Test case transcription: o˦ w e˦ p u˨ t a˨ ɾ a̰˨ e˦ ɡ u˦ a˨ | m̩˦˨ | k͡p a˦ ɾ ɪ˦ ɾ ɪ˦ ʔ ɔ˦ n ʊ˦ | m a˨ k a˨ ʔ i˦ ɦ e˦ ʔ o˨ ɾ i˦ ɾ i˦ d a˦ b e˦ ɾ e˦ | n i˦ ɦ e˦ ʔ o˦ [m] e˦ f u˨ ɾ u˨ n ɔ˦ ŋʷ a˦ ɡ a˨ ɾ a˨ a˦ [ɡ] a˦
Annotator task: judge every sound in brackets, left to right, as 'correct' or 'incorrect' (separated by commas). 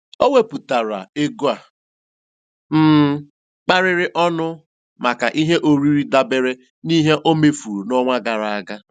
correct, correct